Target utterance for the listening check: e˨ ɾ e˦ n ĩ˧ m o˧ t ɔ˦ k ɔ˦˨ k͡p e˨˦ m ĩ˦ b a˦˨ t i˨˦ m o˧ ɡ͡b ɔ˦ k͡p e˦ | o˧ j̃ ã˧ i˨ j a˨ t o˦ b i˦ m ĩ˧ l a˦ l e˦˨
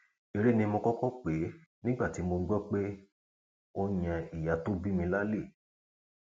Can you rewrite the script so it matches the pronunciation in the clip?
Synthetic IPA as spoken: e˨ ɾ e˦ n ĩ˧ m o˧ k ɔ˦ k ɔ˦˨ k͡p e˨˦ n ĩ˦ ɡ͡b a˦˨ t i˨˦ m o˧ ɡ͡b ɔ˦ k͡p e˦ | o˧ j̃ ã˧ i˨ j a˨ t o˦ b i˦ m ĩ˧ l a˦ l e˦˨